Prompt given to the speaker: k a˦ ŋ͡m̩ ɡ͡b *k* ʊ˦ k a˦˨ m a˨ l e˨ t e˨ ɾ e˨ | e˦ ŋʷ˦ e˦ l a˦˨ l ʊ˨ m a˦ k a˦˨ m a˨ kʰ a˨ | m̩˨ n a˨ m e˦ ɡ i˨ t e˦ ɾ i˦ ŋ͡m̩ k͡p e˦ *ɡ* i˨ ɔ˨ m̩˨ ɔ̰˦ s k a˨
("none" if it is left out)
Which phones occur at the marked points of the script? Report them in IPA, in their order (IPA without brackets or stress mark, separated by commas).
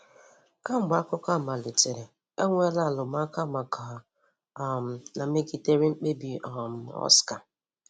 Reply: k, b